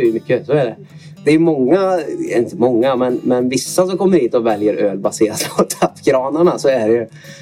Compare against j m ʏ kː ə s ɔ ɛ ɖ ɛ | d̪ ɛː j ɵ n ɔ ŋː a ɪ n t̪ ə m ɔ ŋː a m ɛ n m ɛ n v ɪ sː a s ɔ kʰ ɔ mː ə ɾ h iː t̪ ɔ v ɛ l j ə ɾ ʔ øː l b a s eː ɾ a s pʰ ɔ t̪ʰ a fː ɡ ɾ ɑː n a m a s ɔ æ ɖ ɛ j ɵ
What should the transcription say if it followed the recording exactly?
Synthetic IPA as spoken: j m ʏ kː ə s ɔ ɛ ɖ ɛ | d̪ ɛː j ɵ m ɔ ŋː a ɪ n t̪ ə m ɔ ŋː a m ɛ n m ɛ n v ɪ sː a s ɔ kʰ ɔ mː ə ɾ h iː t̪ ɔ v ɛ l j ə ɾ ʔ øː l b a s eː ɾ a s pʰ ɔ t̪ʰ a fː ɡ ɾ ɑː n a ɳ a s ɔ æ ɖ ɛ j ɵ